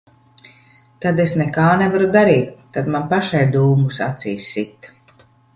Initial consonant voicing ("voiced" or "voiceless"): voiceless